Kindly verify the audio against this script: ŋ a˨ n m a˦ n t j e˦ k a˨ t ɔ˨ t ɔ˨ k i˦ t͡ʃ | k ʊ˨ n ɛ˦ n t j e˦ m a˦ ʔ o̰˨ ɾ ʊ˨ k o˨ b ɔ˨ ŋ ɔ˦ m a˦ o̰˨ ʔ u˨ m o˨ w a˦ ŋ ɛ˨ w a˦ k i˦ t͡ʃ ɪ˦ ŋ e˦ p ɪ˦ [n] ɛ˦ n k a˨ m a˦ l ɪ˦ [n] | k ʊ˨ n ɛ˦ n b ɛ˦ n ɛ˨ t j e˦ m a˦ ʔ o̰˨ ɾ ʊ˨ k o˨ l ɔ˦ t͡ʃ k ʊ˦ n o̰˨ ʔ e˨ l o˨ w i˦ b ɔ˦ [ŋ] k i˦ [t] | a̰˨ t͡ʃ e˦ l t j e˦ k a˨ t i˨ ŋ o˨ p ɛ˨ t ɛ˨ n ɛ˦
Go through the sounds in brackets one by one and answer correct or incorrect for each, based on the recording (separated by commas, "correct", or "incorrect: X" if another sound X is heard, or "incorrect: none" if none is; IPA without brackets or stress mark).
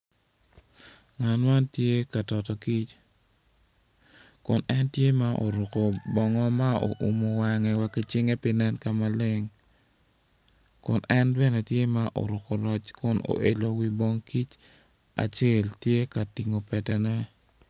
correct, incorrect: ŋ, correct, incorrect: t͡ʃ